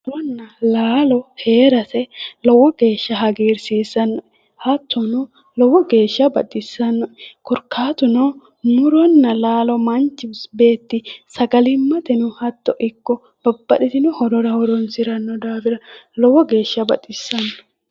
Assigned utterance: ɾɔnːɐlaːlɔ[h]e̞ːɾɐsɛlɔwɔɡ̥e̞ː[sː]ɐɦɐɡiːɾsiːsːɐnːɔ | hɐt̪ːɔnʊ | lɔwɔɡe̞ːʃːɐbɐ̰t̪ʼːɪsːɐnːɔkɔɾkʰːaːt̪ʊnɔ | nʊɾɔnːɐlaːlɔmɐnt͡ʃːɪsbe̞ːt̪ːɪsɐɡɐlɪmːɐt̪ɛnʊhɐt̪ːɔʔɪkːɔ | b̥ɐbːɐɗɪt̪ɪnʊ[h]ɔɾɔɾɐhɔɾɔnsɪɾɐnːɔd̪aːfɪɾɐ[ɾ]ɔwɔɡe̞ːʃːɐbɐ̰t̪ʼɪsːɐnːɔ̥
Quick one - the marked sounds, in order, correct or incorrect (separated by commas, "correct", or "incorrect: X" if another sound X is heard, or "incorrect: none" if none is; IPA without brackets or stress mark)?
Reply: correct, incorrect: ʃː, correct, incorrect: l